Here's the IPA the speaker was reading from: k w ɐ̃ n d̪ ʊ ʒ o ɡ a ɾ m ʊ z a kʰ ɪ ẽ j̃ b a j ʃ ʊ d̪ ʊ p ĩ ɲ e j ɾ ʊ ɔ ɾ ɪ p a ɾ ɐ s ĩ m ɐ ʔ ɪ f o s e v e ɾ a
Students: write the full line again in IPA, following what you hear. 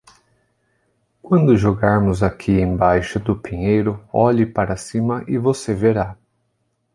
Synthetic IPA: k w ɐ̃ n d̪ ʊ ʒ o ɡ a ɾ m ʊ z a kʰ i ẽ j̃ b a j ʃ ʊ d̪ ʊ p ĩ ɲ e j ɾ ʊ ɔ ʎ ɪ p a ɾ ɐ s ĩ m ɐ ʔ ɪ v o s e v e ɾ a